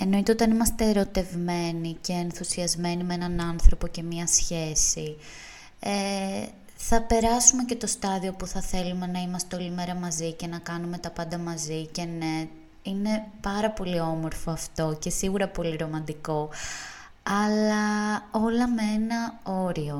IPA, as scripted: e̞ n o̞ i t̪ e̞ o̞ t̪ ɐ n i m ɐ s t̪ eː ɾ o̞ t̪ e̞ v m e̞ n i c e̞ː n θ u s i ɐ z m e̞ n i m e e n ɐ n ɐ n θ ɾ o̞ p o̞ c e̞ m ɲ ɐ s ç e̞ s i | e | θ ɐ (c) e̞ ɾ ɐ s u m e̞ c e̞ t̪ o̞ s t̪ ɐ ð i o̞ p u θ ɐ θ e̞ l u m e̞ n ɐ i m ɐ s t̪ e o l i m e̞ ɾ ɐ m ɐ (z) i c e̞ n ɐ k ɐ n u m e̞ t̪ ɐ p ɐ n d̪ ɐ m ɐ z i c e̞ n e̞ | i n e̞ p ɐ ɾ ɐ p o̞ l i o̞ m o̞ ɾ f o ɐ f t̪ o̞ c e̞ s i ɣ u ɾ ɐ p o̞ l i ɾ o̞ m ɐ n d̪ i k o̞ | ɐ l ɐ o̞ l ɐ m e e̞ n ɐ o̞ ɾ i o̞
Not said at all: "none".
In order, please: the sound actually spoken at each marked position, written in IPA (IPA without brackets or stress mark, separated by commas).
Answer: p, z